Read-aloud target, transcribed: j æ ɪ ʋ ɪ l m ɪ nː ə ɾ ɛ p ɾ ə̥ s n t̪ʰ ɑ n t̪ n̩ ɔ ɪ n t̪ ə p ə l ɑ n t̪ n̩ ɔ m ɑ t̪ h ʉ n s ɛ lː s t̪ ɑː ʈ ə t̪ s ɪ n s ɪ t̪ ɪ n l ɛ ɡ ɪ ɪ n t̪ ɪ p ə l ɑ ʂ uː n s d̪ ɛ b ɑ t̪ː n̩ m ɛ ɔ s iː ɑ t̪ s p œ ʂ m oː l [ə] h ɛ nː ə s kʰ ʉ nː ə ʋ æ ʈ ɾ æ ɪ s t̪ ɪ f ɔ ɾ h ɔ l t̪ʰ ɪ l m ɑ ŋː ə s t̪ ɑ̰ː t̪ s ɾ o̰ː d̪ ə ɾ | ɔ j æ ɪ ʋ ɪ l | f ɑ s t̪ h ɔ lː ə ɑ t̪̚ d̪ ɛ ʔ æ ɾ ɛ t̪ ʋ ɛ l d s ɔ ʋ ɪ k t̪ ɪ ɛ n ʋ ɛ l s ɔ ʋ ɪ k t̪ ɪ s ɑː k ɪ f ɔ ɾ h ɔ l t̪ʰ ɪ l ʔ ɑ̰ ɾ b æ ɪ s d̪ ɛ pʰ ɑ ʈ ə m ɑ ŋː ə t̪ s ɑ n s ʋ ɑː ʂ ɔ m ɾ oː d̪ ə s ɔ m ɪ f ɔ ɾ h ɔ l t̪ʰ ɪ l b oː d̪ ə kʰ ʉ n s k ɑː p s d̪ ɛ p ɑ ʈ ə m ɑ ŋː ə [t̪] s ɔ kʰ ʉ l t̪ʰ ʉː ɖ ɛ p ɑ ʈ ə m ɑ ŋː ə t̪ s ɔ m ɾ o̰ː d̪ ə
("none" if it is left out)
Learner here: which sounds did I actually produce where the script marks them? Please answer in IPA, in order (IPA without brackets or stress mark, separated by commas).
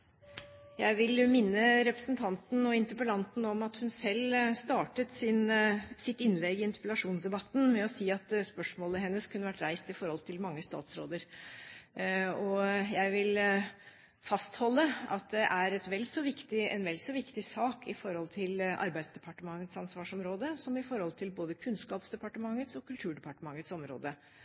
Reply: ə, t̪